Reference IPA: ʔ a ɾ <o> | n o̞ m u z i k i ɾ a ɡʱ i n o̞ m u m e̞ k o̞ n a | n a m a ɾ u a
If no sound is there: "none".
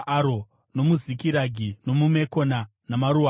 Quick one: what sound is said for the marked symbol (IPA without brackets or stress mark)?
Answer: o